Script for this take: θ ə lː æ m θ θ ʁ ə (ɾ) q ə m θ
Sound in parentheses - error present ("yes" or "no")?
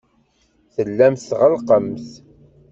yes